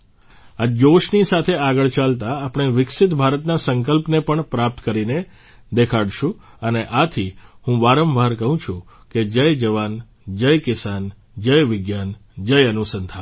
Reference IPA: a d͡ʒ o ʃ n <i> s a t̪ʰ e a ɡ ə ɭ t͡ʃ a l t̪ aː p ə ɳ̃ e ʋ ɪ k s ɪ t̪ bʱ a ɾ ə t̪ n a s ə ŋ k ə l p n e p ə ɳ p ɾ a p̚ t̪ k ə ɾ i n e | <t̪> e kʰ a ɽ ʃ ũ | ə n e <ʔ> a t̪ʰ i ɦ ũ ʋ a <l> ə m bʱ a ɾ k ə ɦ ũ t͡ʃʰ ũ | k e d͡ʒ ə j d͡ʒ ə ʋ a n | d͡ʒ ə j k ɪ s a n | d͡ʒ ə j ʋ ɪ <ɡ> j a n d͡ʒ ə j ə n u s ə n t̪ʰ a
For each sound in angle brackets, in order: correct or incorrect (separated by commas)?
correct, incorrect, correct, incorrect, correct